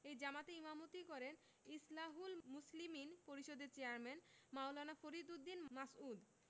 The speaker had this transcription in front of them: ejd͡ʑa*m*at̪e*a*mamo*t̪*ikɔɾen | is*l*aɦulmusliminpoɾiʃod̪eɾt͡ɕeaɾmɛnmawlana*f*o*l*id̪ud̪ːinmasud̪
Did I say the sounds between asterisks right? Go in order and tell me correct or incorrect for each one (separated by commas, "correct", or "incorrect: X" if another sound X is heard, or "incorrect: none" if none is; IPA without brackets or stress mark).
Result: correct, incorrect: i, correct, correct, correct, incorrect: ɾ